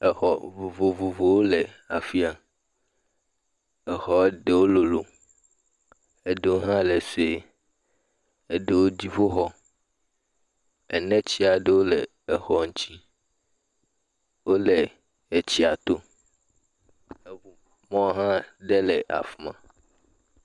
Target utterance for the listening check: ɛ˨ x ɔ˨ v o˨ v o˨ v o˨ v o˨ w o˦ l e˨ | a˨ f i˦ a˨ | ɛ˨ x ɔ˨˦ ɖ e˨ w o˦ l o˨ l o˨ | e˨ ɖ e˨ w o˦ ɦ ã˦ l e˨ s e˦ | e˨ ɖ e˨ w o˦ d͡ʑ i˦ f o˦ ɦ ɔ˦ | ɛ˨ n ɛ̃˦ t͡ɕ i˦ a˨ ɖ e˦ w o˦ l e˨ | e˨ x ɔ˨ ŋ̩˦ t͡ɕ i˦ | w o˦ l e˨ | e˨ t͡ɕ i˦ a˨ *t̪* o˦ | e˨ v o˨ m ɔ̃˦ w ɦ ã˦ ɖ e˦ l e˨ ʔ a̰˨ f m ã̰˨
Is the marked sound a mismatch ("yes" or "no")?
no